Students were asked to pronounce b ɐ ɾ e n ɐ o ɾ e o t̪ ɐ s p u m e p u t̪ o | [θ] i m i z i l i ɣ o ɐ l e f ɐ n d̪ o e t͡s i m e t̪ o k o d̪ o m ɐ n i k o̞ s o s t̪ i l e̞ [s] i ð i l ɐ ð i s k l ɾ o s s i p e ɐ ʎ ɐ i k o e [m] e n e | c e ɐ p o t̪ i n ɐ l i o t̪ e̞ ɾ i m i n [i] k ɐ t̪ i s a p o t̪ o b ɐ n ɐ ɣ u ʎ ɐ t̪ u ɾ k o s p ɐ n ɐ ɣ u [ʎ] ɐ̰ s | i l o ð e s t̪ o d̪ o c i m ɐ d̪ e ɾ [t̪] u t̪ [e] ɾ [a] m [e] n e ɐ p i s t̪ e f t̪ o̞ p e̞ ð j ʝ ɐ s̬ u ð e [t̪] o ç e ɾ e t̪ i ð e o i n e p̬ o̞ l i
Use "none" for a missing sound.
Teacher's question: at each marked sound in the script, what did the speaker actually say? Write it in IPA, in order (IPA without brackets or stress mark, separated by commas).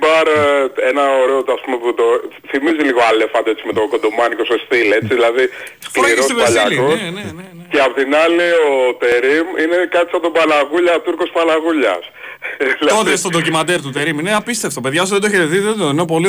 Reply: θ, t͡s, n, e, ʎ, t̪, e, i, i, d̪